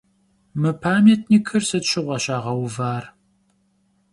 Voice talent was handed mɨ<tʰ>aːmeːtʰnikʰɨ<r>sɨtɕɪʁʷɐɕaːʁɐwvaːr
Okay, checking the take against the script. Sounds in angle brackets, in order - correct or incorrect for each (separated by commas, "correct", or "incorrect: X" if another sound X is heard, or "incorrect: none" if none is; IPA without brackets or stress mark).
incorrect: pʰ, correct